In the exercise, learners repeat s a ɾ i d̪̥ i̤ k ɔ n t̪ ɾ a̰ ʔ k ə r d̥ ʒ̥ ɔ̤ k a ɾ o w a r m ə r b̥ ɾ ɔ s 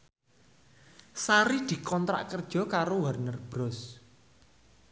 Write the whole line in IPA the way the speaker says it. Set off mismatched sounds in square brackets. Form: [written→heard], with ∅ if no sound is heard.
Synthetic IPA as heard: s a ɾ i d̪̥ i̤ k ɔ n t̪ ɾ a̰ ʔ k ə r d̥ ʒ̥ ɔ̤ k a ɾ o w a r [m→n] ə r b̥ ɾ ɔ s

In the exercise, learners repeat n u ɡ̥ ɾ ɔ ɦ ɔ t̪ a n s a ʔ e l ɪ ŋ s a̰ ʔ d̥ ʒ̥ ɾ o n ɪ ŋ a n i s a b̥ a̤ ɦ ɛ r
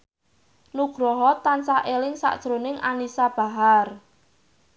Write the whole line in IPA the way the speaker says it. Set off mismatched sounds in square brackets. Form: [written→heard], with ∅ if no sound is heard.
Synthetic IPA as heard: n u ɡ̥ ɾ ɔ ɦ ɔ t̪ a n s a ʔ e l ɪ ŋ s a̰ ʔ d̥ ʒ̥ ɾ o n ɪ ŋ a n i s a b̥ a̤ ɦ [ɛ→a] r

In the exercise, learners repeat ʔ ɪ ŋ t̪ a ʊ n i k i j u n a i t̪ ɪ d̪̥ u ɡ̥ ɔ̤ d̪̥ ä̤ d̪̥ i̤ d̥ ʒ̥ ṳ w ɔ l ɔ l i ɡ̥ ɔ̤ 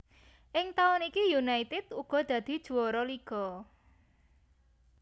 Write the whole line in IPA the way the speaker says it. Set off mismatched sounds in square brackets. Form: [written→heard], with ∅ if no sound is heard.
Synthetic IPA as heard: ʔ ɪ ŋ t̪ a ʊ n i k i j u n a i t̪ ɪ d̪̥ u ɡ̥ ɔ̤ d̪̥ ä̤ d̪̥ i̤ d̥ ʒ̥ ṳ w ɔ [l→ɾ] ɔ l i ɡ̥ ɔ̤

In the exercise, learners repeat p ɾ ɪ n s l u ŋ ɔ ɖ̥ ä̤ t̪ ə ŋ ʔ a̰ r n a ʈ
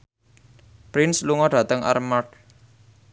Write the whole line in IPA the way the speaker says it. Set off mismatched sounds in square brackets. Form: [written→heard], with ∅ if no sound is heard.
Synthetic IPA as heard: p ɾ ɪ n s l u ŋ ɔ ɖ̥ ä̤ t̪ ə ŋ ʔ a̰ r [n→m] a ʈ

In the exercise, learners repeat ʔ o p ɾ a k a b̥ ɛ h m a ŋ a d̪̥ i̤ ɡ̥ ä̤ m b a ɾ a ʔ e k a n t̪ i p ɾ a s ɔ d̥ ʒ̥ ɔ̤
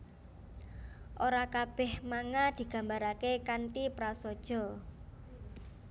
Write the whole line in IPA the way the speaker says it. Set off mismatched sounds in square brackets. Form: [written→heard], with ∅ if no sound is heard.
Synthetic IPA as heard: ʔ o [p→∅] ɾ a k a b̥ ɛ h m a ŋ a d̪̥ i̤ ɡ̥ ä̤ m b a ɾ a [ʔ→k] e k a n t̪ i p ɾ a s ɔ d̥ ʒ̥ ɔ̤

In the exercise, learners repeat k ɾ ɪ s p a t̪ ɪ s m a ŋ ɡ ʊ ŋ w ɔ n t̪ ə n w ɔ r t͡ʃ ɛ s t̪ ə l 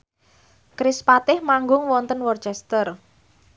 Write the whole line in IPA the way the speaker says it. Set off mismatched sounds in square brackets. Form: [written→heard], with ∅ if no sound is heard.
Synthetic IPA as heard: k ɾ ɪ s p a t̪ ɪ [s→h] m a ŋ ɡ ʊ ŋ w ɔ n t̪ ə n w ɔ r t͡ʃ ɛ s t̪ ə [l→r]

